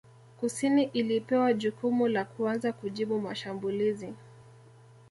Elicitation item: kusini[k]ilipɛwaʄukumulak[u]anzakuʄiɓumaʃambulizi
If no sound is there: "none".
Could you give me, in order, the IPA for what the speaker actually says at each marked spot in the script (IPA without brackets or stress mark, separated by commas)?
ʔ, u